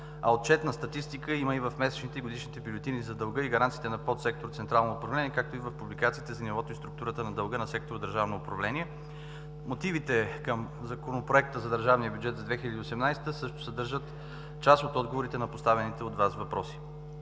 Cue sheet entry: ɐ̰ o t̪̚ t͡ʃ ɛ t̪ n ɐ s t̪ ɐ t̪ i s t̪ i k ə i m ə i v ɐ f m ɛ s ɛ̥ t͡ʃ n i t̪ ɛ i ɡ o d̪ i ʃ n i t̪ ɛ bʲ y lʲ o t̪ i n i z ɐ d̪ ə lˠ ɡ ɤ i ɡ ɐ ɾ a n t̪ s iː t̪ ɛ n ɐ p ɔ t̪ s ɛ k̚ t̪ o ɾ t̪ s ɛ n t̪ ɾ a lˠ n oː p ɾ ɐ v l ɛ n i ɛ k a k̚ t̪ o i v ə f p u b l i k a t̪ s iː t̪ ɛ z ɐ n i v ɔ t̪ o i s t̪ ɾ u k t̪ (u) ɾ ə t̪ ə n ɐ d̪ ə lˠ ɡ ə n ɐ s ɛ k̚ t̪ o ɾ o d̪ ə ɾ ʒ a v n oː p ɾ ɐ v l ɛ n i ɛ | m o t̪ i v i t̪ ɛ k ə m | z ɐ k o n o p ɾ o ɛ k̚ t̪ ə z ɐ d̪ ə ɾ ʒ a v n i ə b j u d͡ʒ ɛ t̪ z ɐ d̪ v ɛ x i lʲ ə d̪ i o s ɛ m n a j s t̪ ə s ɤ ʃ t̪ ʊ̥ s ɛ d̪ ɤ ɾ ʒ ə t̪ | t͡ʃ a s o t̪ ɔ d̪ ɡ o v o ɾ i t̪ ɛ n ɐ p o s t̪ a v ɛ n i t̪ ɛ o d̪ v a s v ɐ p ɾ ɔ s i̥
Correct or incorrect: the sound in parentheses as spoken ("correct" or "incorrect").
correct